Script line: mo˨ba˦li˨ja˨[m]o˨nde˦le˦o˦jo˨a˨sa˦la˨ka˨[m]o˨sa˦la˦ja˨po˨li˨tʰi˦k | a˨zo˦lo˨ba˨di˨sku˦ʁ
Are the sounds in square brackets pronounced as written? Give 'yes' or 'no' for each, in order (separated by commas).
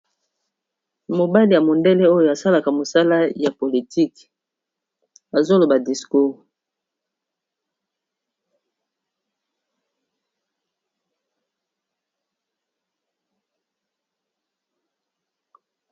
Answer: yes, yes